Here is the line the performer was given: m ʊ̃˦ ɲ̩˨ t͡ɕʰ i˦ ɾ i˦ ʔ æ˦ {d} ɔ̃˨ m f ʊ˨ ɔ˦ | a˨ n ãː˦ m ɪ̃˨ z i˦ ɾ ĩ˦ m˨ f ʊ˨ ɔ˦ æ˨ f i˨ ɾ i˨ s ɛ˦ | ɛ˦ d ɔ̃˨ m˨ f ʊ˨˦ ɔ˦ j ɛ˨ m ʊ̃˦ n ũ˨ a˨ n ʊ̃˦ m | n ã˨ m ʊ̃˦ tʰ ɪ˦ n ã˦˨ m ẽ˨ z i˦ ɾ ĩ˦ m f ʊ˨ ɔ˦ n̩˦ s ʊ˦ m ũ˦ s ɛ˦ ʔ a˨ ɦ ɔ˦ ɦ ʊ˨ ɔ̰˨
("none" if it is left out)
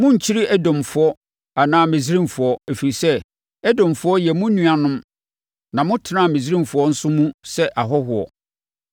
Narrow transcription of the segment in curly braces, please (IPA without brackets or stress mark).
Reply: d